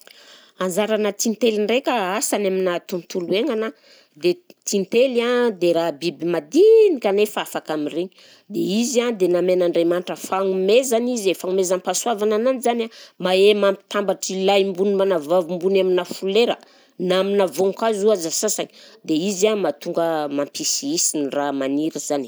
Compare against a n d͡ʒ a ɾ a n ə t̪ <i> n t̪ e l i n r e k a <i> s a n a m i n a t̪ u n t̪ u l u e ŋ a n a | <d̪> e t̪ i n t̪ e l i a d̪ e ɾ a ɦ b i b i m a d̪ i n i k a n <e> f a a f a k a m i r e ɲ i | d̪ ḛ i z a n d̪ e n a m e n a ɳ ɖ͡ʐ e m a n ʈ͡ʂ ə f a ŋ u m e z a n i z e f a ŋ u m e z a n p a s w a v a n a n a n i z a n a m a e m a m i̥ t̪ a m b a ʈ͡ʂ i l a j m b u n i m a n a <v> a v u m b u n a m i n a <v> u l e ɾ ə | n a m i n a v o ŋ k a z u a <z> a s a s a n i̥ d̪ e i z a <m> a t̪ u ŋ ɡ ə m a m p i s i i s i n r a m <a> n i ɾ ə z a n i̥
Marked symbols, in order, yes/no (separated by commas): yes, no, yes, yes, yes, no, yes, yes, yes